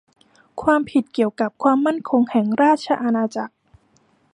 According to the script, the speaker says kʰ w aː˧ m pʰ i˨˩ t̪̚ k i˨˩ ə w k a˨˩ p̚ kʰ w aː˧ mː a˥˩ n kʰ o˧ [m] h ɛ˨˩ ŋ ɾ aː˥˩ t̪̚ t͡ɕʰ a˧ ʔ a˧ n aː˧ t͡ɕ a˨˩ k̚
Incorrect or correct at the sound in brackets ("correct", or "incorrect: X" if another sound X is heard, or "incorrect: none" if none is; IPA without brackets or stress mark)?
incorrect: ŋ